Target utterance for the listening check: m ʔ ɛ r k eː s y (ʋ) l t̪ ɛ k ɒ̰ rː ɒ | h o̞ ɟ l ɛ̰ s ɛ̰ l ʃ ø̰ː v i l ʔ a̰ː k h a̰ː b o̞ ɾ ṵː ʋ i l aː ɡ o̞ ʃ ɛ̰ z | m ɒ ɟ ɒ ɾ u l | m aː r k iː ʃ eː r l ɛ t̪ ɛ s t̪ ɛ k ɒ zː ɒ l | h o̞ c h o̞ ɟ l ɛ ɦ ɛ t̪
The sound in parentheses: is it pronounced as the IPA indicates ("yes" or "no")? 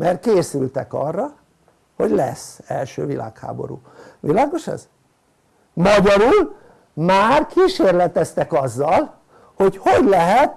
no